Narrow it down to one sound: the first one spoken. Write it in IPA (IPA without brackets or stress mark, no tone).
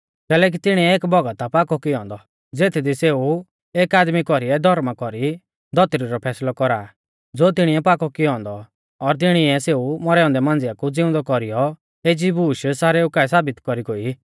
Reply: k